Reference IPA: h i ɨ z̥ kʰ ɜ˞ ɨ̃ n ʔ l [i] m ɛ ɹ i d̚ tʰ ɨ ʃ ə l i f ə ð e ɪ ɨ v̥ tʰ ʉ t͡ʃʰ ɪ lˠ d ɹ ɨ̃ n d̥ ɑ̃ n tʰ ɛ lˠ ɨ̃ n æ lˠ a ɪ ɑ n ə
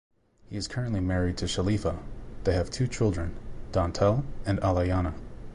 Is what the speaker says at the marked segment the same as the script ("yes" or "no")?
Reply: yes